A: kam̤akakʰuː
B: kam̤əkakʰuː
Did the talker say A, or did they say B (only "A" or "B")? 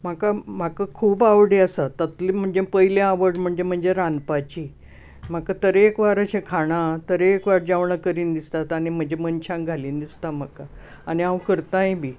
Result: A